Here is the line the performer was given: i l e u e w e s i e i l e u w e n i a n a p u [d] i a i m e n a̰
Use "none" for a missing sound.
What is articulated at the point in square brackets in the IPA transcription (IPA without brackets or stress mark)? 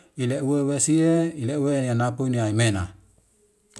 n